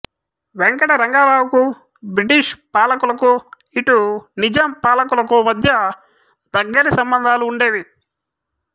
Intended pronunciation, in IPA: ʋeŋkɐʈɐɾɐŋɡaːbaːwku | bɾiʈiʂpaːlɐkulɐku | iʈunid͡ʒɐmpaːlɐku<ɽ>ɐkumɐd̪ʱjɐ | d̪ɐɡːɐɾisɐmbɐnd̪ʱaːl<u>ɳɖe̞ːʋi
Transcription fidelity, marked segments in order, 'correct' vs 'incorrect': incorrect, incorrect

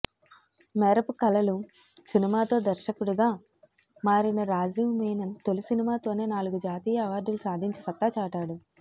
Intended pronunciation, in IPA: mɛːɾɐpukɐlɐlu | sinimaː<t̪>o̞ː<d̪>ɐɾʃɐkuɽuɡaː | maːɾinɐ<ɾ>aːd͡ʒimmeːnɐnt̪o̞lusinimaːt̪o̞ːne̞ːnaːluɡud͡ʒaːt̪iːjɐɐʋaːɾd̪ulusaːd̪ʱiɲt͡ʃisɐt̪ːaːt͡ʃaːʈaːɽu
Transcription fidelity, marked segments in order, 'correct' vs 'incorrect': correct, correct, correct

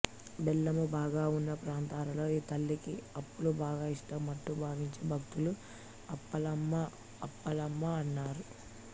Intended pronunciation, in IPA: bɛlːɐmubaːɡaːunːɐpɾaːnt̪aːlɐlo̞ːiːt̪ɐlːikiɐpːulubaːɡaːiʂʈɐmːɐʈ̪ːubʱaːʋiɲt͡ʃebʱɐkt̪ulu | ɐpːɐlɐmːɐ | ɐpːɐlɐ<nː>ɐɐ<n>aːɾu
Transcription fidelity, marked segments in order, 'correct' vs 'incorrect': incorrect, incorrect

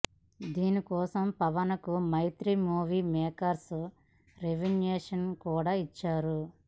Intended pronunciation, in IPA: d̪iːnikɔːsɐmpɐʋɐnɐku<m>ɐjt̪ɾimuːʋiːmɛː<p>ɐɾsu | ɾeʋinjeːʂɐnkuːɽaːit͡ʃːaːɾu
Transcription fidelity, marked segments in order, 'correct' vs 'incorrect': correct, incorrect

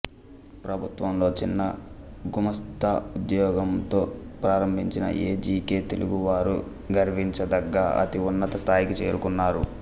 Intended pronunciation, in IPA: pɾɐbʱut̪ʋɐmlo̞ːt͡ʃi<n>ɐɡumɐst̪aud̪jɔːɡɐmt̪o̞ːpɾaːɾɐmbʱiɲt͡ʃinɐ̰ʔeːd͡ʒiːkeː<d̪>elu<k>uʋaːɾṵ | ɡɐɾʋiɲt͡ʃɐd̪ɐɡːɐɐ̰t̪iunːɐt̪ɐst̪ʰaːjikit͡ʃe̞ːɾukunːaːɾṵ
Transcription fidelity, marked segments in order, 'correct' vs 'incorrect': incorrect, incorrect, incorrect

